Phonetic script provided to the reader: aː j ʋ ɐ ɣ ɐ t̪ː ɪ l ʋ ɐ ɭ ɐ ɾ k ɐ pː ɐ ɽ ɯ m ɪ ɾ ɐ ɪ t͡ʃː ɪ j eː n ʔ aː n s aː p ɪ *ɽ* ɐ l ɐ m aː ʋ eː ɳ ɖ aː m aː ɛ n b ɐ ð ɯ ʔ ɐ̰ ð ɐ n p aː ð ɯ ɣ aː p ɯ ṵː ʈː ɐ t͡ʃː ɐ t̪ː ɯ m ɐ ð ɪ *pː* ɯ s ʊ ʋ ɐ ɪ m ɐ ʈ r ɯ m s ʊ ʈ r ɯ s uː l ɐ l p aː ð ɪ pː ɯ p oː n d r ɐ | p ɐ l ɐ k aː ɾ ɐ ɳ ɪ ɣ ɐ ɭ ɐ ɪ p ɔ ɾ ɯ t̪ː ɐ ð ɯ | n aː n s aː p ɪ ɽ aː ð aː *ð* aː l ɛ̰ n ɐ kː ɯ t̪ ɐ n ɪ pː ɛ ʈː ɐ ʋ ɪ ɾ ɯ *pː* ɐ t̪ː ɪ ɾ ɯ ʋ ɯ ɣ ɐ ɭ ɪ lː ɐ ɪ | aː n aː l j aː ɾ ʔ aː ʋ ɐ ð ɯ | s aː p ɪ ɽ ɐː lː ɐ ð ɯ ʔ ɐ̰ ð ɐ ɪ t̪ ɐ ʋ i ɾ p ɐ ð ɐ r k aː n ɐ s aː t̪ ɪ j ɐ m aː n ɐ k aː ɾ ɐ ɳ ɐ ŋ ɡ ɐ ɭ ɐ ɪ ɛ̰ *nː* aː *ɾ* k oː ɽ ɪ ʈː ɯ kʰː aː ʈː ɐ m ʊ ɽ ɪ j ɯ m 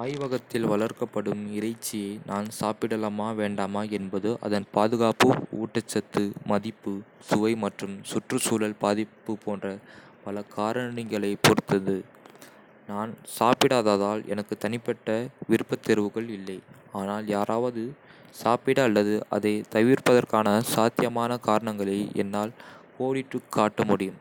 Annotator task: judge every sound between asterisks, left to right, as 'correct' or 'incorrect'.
correct, correct, correct, correct, correct, incorrect

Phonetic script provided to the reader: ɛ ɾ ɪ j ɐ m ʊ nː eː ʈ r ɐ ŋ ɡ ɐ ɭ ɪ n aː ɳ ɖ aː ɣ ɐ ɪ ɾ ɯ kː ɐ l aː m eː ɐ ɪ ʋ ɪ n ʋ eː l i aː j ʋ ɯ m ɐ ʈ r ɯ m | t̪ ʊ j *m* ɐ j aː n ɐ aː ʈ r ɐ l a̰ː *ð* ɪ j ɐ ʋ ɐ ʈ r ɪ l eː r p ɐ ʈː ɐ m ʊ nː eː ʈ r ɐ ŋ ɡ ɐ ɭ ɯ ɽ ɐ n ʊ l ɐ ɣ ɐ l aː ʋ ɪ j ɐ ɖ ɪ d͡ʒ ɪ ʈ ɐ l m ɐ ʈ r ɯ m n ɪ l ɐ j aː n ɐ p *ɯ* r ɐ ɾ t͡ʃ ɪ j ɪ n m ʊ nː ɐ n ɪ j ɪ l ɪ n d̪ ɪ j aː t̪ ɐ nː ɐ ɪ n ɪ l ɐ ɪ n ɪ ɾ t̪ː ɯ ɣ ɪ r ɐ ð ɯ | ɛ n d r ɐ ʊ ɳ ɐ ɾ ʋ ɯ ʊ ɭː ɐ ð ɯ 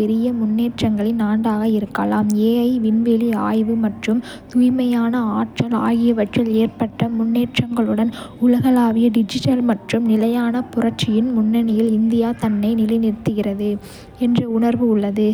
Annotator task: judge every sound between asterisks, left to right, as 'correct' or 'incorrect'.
correct, incorrect, incorrect

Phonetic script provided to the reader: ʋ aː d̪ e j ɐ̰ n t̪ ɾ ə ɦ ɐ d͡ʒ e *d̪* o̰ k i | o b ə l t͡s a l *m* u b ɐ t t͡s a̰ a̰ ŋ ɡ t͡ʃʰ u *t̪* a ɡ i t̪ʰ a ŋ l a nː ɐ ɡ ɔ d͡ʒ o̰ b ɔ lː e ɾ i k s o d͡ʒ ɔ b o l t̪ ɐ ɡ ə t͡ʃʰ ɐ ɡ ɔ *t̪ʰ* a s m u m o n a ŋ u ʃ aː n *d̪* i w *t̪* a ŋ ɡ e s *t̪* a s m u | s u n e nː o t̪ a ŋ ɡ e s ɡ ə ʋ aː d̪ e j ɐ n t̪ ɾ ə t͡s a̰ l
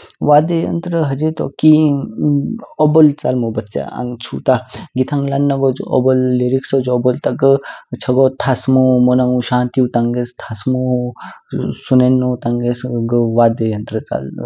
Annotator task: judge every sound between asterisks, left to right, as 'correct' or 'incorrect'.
incorrect, correct, correct, correct, incorrect, correct, incorrect

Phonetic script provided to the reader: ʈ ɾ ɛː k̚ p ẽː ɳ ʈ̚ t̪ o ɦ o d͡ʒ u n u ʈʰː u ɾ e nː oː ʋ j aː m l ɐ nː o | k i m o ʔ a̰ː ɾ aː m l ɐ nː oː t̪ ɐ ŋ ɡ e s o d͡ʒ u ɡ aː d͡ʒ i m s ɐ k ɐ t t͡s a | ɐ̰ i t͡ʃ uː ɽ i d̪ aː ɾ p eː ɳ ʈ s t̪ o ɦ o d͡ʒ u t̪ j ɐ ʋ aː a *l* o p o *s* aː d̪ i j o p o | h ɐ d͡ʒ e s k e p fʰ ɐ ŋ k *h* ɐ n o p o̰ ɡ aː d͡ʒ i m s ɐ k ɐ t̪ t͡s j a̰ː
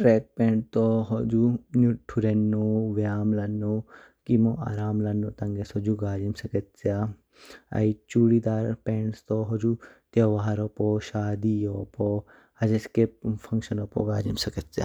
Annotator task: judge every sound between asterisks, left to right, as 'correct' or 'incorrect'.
incorrect, incorrect, incorrect

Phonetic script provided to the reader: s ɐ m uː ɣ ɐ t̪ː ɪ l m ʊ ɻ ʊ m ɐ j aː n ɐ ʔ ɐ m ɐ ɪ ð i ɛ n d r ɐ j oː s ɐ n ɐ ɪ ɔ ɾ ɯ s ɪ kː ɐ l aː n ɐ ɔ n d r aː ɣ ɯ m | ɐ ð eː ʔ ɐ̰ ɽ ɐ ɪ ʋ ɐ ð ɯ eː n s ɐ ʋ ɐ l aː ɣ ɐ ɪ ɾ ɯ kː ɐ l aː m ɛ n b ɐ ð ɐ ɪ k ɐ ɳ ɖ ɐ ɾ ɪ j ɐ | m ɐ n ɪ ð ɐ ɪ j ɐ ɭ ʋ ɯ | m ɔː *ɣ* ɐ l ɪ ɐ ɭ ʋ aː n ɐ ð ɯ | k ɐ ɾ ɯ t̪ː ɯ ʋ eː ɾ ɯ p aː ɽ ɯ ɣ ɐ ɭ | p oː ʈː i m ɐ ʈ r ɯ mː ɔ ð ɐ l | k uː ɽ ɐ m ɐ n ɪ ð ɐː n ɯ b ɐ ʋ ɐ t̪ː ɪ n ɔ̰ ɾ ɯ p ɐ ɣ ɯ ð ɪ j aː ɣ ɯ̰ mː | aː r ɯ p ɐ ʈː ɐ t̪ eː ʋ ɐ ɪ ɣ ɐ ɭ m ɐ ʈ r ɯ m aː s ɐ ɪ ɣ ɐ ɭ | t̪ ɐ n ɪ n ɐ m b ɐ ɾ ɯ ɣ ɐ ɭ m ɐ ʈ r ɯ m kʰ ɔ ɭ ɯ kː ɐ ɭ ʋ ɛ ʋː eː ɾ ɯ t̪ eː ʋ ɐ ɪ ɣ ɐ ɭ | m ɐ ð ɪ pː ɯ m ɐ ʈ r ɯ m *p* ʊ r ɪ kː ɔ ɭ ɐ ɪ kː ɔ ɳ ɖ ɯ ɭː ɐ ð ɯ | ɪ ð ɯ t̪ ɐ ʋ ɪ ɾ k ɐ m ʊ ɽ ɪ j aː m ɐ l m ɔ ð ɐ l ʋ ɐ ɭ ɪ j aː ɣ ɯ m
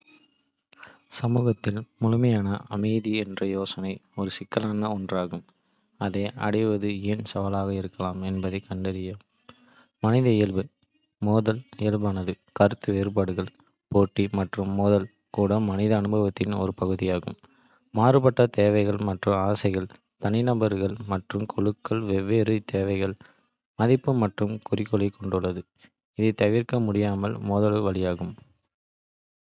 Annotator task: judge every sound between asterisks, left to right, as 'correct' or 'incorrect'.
incorrect, incorrect

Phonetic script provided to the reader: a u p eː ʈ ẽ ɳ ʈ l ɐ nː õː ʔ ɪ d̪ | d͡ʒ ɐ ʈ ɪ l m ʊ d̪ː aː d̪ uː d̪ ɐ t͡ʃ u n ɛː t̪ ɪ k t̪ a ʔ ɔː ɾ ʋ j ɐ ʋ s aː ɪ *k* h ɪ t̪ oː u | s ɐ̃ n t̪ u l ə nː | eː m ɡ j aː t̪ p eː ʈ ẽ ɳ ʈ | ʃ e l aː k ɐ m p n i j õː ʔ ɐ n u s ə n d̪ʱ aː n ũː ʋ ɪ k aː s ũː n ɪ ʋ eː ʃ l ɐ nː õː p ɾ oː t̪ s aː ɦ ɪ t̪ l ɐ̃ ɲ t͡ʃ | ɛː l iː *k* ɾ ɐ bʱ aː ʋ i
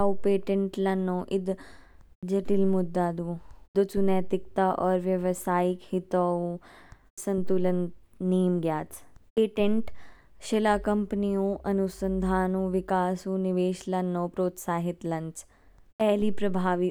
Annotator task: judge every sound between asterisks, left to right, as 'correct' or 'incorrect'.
correct, incorrect

